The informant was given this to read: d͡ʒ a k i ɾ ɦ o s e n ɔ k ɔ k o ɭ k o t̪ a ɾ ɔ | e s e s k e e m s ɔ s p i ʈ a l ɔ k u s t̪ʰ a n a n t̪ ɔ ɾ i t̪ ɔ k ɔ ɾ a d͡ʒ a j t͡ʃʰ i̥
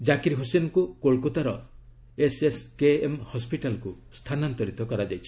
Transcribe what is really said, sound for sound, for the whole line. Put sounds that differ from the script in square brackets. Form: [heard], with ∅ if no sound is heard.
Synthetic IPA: d͡ʒ a k i ɾ ɦ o s e n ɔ k [u] k o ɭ k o t̪ a ɾ ɔ | e s e s k e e m [h] ɔ s p i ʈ a l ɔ k u s t̪ʰ a n a n t̪ ɔ ɾ i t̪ ɔ k ɔ ɾ a d͡ʒ a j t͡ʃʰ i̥